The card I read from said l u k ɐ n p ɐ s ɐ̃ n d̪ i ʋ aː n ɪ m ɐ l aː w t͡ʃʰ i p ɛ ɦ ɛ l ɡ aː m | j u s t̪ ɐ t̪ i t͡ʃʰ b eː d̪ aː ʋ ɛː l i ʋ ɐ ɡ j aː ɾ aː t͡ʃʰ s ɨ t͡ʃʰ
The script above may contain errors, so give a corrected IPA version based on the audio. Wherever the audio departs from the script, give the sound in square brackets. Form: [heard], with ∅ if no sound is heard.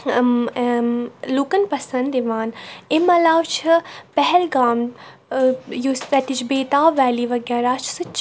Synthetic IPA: l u k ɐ n p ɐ s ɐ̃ n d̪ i ʋ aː n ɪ m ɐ l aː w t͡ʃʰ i p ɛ ɦ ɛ l ɡ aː m | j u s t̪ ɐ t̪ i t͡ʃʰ b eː [t̪] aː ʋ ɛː l i ʋ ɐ ɡ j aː ɾ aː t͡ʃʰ s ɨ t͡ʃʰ

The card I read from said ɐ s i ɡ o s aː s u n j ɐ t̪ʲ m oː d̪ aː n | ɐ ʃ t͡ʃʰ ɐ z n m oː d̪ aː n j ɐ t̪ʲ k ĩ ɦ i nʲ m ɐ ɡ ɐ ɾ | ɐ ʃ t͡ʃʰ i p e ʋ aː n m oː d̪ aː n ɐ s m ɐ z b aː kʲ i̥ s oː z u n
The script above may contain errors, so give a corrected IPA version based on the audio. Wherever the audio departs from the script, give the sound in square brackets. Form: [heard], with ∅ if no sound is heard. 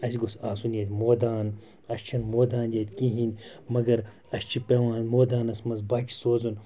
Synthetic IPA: ɐ s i ɡ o s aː s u n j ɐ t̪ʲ m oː d̪ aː n | ɐ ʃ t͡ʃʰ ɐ [∅] n m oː d̪ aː n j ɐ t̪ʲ k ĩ ɦ i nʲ m ɐ ɡ ɐ ɾ | ɐ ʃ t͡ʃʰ i p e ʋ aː n m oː d̪ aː n ɐ s m ɐ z b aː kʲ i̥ s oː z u n

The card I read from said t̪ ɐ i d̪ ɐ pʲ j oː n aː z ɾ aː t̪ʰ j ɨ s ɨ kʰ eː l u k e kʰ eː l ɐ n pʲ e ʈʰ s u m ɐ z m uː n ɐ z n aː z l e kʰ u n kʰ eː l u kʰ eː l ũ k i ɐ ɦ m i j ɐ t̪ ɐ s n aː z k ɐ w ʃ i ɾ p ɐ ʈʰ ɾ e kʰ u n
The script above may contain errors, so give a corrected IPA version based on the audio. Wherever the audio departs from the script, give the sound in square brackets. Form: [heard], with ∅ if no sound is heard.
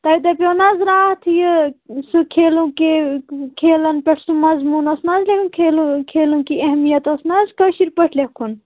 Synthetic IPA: t̪ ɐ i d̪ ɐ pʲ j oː n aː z ɾ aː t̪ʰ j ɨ s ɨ kʰ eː l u k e kʰ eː l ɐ n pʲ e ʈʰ s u m ɐ z m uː n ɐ [s] n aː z l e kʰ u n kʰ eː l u kʰ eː l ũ k i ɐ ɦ m i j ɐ t̪ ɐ s n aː z k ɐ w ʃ i ɾ p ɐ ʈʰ [l] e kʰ u n

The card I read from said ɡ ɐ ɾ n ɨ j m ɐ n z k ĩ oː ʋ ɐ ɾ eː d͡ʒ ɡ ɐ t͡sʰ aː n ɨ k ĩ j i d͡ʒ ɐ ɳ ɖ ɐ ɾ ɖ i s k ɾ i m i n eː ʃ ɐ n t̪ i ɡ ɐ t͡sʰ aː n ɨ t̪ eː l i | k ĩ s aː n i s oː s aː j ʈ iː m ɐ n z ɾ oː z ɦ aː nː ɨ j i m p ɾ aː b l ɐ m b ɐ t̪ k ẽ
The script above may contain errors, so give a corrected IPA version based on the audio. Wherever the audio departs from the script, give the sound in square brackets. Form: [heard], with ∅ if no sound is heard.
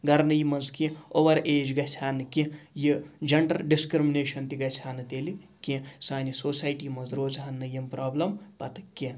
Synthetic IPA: ɡ ɐ ɾ n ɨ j m ɐ n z k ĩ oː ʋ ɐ ɾ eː d͡ʒ ɡ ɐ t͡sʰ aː n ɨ k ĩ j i d͡ʒ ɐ ɳ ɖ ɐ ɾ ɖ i s k ɾ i m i n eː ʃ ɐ n t̪ i ɡ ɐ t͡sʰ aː n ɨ t̪ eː l i | k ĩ s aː n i s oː s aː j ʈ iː m ɐ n z ɾ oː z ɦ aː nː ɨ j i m p ɾ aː b l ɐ m [p] ɐ t̪ k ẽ

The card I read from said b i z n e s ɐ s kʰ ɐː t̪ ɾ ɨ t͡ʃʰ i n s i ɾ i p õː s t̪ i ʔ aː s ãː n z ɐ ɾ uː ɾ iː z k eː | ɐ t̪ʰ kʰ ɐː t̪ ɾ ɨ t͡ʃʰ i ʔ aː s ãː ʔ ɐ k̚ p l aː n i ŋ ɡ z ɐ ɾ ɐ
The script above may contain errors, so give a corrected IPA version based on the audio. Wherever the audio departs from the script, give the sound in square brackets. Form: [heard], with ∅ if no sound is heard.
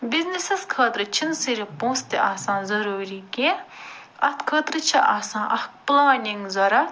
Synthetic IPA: b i z n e s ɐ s kʰ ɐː t̪ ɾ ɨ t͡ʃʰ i n s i ɾ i p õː s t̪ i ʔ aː s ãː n z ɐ ɾ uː ɾ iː [∅] k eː | ɐ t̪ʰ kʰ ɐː t̪ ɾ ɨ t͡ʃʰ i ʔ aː s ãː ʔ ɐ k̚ p l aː n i ŋ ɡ z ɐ ɾ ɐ

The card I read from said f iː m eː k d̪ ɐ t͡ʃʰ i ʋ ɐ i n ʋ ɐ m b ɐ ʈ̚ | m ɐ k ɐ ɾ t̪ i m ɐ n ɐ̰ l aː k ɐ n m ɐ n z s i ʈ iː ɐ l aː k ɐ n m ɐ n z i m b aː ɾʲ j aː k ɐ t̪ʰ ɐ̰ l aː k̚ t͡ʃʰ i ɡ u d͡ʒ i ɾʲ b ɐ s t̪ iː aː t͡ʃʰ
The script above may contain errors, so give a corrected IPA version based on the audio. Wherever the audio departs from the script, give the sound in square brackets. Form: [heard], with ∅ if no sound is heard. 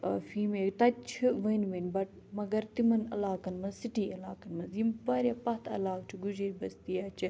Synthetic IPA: f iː m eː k [t̪] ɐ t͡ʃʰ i ʋ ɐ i n ʋ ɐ [n] b ɐ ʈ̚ | m ɐ [ɡ] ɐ ɾ t̪ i m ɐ n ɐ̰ l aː k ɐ n m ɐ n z s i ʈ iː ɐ l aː k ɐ n m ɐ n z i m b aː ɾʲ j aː [p] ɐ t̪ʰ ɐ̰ l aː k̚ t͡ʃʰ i ɡ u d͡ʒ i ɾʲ b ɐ s t̪ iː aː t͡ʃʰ

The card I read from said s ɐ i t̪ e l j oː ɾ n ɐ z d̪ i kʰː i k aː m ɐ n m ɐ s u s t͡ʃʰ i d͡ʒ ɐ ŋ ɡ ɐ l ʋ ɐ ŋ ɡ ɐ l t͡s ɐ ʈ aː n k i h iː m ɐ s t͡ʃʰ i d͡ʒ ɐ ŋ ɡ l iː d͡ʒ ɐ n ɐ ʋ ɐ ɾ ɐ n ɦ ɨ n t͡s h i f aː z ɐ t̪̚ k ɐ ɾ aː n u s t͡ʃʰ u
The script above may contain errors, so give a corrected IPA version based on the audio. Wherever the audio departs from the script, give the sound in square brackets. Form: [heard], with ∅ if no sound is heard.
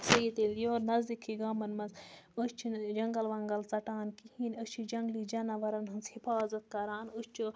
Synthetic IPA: s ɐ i t̪ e l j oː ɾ n ɐ z d̪ i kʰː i [ɡ] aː m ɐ n m ɐ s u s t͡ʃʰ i d͡ʒ ɐ ŋ ɡ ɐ l ʋ ɐ ŋ ɡ ɐ l t͡s ɐ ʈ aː n k i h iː [n] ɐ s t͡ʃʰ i d͡ʒ ɐ ŋ ɡ l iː d͡ʒ ɐ n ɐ ʋ ɐ ɾ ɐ n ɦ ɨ n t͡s h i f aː z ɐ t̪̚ k ɐ ɾ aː n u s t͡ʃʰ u

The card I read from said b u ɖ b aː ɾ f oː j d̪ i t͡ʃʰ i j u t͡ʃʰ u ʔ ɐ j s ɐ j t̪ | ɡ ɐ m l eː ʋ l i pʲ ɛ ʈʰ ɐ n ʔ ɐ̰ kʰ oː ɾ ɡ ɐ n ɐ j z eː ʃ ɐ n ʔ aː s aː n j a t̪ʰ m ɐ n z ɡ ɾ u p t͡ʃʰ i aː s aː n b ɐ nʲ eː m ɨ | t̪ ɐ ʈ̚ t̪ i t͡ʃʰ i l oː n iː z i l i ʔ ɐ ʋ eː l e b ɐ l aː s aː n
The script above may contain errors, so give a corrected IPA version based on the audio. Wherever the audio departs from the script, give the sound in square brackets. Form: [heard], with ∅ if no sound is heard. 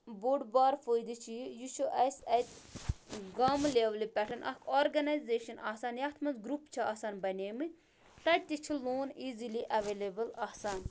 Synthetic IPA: b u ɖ b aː ɾ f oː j d̪ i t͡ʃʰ i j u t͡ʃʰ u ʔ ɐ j s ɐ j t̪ | ɡ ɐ m l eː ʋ l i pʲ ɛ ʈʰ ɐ n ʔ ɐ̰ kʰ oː ɾ ɡ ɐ n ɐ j z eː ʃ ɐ n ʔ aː s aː n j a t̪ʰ m ɐ n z ɡ ɾ u p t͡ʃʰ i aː s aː n b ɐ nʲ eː m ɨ | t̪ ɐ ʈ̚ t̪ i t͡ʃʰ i l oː n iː z i l i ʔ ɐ ʋ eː l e b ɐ l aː s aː n

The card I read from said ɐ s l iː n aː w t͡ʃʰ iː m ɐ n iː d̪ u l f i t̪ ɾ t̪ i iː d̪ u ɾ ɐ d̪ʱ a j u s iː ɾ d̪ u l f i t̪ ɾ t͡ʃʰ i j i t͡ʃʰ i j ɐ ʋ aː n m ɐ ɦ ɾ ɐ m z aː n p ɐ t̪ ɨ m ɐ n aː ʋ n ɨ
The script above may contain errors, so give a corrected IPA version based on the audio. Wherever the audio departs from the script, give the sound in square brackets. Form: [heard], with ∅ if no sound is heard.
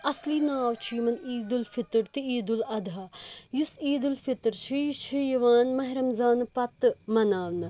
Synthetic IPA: ɐ s l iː n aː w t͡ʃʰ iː m ɐ n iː d̪ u l f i t̪ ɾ t̪ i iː d̪ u [l] ɐ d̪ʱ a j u s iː [∅] d̪ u l f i t̪ ɾ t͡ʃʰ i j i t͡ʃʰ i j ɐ ʋ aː n m ɐ ɦ ɾ ɐ m z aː n p ɐ t̪ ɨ m ɐ n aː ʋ n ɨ

